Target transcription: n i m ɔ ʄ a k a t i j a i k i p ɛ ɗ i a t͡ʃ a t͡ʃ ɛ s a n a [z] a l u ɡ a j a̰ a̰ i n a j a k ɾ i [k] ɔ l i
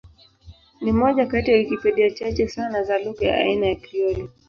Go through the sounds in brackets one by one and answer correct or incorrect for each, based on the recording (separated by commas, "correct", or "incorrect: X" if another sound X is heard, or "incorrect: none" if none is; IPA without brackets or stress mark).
correct, incorrect: none